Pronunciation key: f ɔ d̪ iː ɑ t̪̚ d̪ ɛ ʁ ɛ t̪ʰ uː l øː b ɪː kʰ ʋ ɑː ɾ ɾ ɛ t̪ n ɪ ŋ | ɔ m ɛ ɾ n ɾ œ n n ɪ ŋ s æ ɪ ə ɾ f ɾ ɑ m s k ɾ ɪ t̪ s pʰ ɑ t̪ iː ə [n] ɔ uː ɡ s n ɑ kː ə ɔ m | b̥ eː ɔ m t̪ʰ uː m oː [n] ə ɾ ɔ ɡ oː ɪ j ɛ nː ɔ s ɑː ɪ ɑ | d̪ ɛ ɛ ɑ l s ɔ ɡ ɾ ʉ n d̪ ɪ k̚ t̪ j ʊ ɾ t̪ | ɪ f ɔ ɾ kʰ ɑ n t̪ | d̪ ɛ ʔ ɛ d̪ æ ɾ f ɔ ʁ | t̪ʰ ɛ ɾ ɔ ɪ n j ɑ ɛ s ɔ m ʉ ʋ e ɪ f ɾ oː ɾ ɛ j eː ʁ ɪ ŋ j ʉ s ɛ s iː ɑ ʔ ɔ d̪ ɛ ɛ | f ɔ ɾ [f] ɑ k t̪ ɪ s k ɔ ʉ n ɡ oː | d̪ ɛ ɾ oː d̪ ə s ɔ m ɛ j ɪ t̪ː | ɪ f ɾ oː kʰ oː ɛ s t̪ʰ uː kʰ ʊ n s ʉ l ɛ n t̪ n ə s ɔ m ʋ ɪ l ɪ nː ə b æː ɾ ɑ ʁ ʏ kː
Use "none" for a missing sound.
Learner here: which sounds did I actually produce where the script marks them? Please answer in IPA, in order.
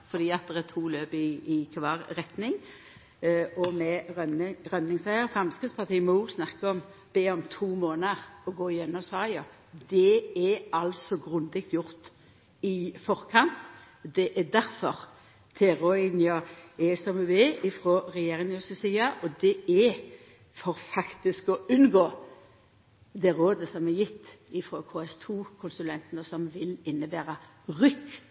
m, n, f

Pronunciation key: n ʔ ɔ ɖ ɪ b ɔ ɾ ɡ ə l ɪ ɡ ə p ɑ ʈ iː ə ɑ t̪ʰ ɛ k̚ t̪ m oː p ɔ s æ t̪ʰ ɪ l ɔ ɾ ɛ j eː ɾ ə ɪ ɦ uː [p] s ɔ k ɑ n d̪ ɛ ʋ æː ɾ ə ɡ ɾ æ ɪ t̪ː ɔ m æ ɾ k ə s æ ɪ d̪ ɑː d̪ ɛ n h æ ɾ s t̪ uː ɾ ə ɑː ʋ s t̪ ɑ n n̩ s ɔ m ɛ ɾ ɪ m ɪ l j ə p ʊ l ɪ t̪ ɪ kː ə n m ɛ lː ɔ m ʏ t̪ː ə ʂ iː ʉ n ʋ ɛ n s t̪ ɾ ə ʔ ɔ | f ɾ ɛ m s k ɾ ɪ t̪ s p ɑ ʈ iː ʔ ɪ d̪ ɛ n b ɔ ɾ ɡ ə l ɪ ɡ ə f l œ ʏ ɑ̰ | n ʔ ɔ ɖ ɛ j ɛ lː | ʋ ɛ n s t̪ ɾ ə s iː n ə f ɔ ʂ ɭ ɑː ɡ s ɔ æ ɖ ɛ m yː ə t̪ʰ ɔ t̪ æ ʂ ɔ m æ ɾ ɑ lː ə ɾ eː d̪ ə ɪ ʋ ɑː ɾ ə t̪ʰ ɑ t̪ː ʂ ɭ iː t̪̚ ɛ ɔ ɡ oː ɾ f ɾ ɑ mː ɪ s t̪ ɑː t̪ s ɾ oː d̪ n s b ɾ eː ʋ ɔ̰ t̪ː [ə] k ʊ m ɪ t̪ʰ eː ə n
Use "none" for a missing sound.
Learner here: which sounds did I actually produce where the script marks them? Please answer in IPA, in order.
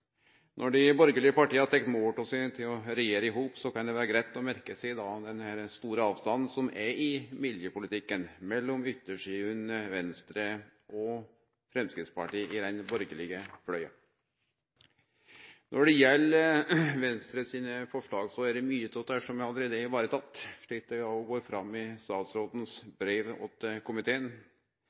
p, ə

